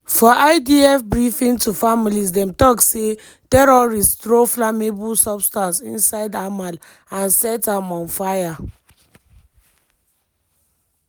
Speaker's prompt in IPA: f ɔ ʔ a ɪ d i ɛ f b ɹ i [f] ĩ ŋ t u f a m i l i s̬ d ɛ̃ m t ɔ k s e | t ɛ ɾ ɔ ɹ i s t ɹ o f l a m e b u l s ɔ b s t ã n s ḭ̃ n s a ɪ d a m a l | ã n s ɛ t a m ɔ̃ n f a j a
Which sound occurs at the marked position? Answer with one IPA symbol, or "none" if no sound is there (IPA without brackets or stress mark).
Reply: f